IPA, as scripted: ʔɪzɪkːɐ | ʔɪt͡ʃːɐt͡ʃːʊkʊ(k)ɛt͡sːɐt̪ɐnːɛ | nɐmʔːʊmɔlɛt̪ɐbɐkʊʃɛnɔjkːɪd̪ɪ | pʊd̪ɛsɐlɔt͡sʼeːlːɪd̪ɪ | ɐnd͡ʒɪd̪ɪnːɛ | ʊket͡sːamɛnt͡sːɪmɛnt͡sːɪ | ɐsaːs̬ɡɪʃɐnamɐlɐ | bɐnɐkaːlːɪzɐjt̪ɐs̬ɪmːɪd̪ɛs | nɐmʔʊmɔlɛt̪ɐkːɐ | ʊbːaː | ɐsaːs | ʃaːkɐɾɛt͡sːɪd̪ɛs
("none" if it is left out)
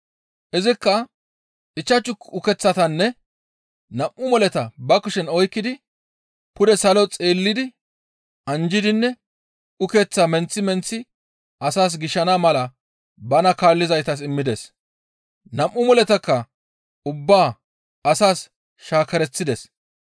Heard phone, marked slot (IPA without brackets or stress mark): k